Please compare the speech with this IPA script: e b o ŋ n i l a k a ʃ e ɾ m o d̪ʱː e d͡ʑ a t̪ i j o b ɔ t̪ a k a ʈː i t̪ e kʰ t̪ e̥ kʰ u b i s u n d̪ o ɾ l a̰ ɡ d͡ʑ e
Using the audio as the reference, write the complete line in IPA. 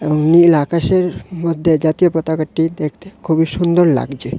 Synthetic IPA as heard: e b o ŋ n i l a k a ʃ e ɾ m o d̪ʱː e d͡ʑ a t̪ i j o p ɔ t̪ a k a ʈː i d̪ e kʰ t̪ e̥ kʰ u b i ʃ u n d̪ o ɾ l a̰ ɡ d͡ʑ e